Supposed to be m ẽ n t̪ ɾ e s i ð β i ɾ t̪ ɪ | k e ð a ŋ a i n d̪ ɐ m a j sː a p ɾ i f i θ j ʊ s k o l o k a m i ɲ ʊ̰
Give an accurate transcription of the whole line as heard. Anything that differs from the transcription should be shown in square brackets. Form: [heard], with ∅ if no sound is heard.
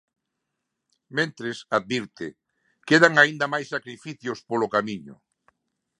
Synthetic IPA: m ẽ n t̪ ɾ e s [a] ð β i ɾ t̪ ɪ | k e ð a ŋ a i n d̪ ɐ m a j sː a [k] ɾ i f i θ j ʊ s [p] o l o k a m i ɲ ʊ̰